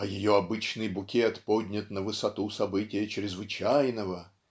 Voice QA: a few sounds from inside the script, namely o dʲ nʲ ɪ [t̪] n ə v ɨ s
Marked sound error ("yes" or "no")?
no